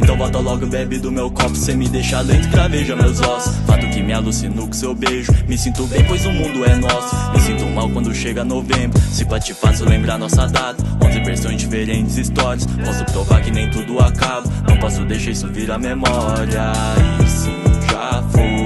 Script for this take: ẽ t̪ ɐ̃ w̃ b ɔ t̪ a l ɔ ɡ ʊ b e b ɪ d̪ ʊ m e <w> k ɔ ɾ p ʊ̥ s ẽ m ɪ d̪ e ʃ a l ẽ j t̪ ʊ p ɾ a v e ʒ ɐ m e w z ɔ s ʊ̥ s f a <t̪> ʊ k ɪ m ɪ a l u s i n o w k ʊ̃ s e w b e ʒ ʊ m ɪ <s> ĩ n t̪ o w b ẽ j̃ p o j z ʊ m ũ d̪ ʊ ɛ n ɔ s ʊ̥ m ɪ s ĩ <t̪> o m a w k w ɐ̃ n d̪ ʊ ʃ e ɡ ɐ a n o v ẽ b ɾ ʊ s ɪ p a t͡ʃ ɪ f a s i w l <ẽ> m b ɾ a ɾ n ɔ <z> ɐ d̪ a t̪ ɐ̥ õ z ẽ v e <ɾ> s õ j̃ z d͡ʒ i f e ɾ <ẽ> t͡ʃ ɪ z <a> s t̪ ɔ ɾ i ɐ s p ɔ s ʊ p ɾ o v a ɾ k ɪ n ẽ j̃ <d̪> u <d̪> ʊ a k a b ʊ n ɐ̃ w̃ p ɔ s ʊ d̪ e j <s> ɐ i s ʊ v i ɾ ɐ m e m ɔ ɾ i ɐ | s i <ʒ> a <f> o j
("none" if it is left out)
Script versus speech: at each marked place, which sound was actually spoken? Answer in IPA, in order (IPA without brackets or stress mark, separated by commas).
w, t̪, s, t̪, ẽ, s, ɾ, ẽ, i, t̪, d̪, ʃ, ʒ, f